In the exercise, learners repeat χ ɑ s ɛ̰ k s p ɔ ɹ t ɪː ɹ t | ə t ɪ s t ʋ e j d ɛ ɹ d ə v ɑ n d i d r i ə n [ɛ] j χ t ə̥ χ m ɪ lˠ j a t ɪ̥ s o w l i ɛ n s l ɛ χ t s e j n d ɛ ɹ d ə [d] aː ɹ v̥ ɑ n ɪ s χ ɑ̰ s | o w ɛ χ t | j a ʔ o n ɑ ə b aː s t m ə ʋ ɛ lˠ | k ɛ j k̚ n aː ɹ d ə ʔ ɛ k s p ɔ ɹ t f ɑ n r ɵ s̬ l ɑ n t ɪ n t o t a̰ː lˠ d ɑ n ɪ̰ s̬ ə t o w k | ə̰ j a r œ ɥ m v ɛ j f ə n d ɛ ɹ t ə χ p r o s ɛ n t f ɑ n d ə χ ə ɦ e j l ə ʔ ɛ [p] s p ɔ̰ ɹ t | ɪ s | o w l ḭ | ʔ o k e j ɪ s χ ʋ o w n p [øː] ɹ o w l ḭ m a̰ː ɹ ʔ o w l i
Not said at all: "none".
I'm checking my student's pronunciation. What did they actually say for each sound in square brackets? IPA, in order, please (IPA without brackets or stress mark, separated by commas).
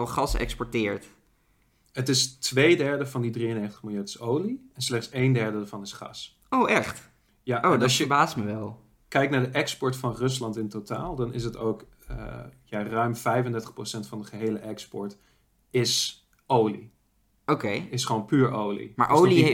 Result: e, d, k, yː